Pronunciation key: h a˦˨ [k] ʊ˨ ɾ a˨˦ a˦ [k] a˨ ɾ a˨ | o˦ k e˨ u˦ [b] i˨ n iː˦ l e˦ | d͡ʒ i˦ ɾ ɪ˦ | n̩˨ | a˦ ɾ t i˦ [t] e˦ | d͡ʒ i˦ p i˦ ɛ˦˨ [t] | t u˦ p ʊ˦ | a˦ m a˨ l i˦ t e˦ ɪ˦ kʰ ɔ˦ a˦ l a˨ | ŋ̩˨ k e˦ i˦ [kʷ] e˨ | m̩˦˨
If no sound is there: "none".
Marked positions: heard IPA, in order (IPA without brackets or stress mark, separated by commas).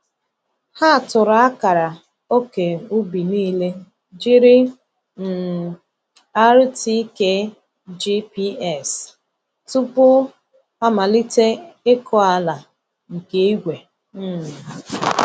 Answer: t, k, b, k, s, ɡʷ